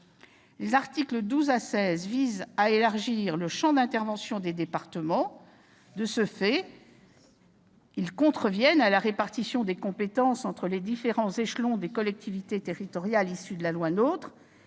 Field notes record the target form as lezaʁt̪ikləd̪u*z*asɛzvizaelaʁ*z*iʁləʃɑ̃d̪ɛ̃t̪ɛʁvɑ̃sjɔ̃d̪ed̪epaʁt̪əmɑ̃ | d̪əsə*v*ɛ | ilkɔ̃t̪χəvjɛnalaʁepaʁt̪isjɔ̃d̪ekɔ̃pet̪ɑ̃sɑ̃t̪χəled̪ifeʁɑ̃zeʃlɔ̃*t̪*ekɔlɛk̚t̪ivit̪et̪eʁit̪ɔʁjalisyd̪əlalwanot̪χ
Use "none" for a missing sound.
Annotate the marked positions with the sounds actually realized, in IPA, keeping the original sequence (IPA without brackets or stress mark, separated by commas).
z, ʒ, f, d̪